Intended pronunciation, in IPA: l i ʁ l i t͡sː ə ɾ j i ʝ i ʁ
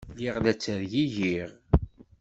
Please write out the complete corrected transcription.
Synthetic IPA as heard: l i ʁ l æ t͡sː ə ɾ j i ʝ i ʁ